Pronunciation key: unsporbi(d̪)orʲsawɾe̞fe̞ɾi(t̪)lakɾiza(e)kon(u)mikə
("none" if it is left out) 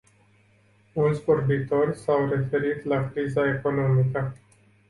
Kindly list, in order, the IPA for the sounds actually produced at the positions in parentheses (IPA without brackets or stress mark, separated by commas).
t̪, t̪, e, o